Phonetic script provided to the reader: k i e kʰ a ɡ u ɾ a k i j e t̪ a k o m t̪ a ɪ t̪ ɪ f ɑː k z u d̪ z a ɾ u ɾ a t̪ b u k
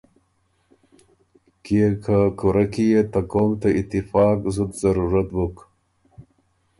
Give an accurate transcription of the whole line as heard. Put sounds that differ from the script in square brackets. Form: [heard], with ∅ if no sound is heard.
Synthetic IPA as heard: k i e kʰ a [k] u ɾ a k i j e t̪ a k o m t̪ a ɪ t̪ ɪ f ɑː k z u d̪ z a ɾ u ɾ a t̪ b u k